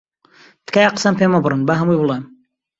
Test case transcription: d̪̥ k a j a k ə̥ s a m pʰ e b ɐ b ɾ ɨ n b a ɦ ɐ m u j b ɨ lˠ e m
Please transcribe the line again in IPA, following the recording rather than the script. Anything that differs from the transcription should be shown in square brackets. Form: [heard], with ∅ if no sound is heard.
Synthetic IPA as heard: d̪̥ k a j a [q] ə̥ s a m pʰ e [m] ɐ b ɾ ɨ n b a ɦ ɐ m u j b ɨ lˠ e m